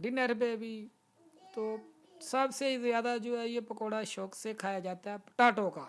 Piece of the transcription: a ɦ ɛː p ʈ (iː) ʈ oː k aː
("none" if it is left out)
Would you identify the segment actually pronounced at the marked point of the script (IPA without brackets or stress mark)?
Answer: aː